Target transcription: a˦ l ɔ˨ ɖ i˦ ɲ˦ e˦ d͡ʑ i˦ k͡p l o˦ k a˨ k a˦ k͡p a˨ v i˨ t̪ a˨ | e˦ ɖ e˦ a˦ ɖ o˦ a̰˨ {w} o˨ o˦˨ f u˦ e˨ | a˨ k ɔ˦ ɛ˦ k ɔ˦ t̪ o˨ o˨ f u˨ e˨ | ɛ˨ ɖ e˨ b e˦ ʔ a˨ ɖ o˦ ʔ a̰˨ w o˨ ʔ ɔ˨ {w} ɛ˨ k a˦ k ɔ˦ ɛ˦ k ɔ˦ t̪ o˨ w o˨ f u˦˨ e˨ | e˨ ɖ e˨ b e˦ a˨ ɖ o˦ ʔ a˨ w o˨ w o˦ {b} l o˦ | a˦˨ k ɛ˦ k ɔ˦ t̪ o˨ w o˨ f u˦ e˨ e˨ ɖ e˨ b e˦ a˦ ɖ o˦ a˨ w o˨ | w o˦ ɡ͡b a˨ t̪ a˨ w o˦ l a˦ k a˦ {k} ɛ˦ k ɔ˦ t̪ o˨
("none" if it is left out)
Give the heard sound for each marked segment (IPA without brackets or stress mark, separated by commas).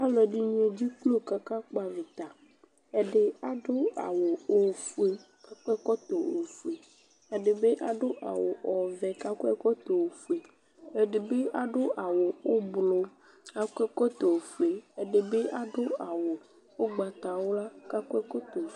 w, v, b, k